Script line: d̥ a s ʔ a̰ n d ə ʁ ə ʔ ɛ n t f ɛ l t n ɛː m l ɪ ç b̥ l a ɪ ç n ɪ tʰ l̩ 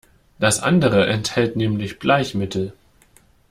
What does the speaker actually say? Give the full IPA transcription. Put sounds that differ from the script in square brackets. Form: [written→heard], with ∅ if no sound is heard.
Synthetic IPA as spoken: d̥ a s ʔ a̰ n d ə ʁ ə ʔ ɛ n t [f→h] ɛ l t n ɛː m l ɪ ç b̥ l a ɪ ç [n→m] ɪ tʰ l̩